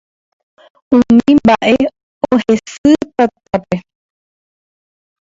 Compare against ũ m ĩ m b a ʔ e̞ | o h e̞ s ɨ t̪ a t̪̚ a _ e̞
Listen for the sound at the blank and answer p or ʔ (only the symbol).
p